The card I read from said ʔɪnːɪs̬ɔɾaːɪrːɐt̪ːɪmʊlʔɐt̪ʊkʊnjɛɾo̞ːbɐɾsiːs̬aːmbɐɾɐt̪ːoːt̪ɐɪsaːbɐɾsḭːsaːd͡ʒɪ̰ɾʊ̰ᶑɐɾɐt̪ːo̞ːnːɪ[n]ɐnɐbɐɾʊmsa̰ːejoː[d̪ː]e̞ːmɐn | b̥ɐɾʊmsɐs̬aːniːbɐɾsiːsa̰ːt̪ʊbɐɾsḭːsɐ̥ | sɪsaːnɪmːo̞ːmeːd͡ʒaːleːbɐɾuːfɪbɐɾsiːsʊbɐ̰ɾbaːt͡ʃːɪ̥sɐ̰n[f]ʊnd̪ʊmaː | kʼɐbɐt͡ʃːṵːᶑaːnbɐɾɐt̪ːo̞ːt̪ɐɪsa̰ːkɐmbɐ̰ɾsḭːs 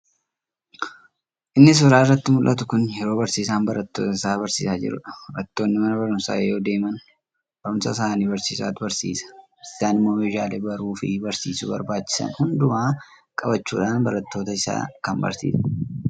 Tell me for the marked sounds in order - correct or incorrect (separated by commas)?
incorrect, incorrect, incorrect